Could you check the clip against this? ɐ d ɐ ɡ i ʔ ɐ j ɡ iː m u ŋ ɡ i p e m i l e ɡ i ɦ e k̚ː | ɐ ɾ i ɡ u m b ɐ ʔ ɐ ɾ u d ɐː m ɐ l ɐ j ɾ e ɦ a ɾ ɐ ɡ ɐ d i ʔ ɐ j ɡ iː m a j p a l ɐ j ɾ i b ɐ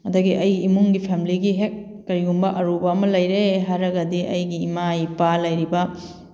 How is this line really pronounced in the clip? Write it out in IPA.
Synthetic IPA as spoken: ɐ d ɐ ɡ i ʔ ɐ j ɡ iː m u ŋ ɡ i pʰ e m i l i ɡ i ɦ e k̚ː | ɐ ɾ i ɡ u m b ɐ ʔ ɐ ɾ u b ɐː m ɐ l ɐ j ɾ e ɦ a ɾ ɐ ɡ ɐ d i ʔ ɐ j ɡ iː m a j p a l ɐ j ɾ i b ɐ

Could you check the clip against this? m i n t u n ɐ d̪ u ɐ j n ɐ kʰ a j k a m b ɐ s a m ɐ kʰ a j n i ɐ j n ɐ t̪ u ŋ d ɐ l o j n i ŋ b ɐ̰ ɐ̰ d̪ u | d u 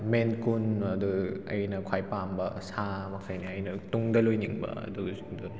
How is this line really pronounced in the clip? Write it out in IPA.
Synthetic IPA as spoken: m e n k u n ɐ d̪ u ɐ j n ɐ kʰ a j p a m b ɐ s a m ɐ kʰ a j n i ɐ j n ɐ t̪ u ŋ d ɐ l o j n i ŋ b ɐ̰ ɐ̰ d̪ u | d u

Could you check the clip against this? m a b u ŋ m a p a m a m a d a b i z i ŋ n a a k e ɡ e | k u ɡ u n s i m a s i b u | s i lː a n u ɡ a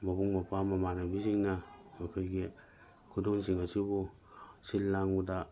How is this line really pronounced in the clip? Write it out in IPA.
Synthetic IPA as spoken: m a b u ŋ m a p a m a m a n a b i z i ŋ n a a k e ɡ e | k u d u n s i ŋ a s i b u | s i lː a ŋ u d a

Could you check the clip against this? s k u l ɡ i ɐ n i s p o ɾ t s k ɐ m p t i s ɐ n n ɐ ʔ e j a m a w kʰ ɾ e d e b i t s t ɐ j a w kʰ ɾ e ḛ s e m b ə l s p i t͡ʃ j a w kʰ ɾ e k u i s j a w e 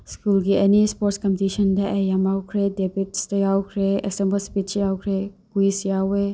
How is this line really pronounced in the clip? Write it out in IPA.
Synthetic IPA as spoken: s k u l ɡ i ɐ n i s p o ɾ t s k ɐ m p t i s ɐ n d ɐ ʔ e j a m a w kʰ ɾ e d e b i t s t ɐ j a w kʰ ɾ e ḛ s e m b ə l s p i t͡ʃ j a w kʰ ɾ e k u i s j a w e

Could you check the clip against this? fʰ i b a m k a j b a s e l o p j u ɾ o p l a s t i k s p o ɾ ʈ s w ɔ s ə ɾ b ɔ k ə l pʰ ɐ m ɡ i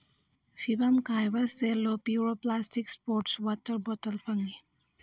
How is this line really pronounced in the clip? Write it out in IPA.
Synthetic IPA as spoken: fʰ i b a m k a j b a s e l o p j u ɾ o p l a s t i k s p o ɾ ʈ s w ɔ t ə ɾ b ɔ t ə l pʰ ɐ ŋ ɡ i

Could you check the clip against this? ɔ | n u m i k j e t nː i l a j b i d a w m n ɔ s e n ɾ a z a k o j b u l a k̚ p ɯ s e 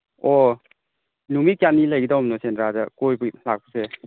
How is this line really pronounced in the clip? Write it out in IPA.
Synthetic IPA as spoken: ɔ | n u m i k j a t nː i l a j ɡ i d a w m n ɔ s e n ɾ a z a k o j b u l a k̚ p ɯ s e

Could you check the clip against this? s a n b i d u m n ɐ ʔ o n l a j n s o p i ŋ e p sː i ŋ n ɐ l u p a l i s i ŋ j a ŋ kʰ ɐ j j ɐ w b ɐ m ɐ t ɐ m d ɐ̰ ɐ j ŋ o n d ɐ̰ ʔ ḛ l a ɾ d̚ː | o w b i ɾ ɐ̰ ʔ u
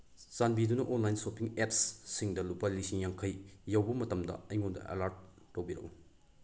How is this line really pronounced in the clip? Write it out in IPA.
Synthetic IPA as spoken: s a n b i d u n ɐ ʔ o n l a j n s o p i ŋ e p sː i ŋ d ɐ l u p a l i s i ŋ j a ŋ kʰ ɐ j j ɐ w b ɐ m ɐ t ɐ m d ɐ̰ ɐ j ŋ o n d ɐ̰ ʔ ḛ l a ɾ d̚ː | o w b i ɾ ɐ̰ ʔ u

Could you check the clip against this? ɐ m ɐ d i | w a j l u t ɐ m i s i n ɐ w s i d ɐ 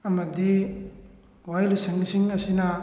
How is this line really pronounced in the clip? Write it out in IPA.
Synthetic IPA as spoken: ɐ m ɐ d i | w a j l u s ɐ ŋ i s i ŋ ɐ s i n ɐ

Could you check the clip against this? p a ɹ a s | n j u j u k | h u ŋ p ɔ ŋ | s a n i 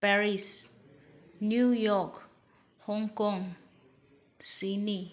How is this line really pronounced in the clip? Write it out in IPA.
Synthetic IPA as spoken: p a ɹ i s | n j u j ɔ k | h ɔ ŋ k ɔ ŋ | s i n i

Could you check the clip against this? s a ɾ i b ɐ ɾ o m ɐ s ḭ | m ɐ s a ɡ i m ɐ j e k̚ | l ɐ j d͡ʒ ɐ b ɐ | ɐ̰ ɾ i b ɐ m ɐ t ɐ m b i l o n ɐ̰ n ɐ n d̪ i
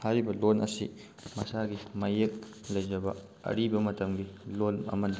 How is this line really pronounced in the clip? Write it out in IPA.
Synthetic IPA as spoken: h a ɾ i b ɐ l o n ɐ s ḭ | m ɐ s a ɡ i m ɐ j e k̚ | l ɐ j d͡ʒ ɐ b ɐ | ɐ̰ ɾ i b ɐ m ɐ t ɐ m ɡ i l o n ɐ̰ m ɐ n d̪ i

